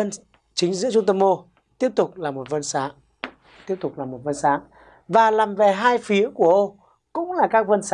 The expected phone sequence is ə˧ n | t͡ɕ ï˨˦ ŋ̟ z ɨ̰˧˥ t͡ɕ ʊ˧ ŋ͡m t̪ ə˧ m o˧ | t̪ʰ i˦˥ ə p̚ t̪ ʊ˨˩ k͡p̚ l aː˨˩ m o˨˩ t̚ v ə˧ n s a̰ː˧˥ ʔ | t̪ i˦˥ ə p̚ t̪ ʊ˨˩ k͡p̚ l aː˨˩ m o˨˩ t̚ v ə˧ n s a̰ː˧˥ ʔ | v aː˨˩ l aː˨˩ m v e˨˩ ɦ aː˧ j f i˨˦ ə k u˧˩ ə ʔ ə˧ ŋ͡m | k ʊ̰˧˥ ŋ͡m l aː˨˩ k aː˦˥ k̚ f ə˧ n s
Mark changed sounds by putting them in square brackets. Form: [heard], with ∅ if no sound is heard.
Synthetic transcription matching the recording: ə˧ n | t͡ɕ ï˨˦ ŋ̟ z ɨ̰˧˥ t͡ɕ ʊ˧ ŋ͡m t̪ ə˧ m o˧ | [t̪] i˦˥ ə p̚ t̪ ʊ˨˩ k͡p̚ l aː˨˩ m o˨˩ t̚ v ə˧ n s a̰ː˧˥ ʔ | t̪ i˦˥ ə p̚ t̪ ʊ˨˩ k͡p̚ l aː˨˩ m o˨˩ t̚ v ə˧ n s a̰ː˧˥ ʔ | v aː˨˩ l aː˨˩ m v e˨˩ ɦ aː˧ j f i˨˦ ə k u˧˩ ə ʔ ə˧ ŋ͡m | k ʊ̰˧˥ ŋ͡m l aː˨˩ k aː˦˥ k̚ [v] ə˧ n s

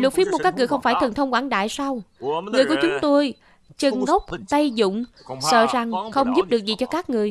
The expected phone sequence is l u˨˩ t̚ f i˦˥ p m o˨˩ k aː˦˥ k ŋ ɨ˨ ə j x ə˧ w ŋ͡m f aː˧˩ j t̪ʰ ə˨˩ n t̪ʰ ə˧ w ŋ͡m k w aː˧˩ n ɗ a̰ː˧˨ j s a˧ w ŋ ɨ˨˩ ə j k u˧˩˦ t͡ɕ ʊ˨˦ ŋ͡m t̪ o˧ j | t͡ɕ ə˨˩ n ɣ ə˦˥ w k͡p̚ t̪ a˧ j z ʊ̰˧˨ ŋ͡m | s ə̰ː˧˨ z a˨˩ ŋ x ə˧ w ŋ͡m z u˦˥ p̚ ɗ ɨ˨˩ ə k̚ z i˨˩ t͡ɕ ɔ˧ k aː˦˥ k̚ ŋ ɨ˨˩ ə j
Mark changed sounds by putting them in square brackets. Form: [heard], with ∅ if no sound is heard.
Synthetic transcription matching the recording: l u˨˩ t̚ f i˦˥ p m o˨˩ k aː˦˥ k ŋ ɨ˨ ə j x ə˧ w ŋ͡m f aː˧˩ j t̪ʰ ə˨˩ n t̪ʰ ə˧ w ŋ͡m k w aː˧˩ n ɗ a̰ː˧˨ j s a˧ w ŋ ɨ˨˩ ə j k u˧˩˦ t͡ɕ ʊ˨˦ ŋ͡m t̪ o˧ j | t͡ɕ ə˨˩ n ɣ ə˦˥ w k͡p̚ t̪ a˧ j z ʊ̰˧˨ ŋ͡m | s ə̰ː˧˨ z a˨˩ ŋ x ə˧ w ŋ͡m z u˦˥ p̚ ɗ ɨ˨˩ ə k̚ z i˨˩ t͡ɕ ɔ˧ k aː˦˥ k̚ ŋ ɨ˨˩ ə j

